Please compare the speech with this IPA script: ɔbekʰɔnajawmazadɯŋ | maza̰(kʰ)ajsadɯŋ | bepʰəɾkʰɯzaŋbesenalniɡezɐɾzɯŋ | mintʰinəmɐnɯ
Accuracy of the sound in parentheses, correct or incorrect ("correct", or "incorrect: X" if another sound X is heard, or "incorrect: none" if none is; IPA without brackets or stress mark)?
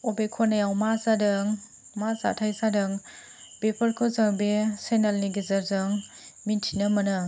incorrect: tʰ